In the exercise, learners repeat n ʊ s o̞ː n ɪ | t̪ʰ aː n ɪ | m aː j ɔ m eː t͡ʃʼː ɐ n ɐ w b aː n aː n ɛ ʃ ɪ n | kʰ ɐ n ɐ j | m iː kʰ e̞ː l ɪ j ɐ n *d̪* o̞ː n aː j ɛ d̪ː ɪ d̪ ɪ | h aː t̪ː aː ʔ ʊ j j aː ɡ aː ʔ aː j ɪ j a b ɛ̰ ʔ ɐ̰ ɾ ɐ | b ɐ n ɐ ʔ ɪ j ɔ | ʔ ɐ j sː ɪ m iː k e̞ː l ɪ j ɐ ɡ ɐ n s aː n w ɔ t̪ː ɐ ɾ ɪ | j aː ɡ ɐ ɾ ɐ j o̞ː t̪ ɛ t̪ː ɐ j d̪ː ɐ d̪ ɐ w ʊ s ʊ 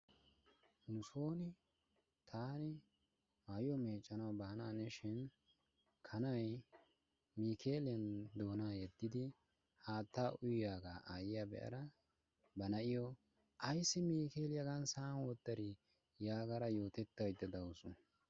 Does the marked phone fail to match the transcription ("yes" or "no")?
no